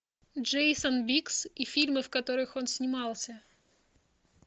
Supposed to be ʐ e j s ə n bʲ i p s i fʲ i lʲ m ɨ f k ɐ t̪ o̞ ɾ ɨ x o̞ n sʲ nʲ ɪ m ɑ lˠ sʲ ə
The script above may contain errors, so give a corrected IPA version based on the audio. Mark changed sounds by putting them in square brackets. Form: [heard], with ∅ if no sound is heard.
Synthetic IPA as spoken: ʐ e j s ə n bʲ i [k] s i fʲ i lʲ m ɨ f k ɐ t̪ o̞ ɾ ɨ x o̞ n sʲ nʲ ɪ m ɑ lˠ sʲ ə